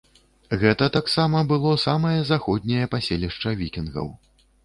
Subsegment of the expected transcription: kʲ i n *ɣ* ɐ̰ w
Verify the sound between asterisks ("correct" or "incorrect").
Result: correct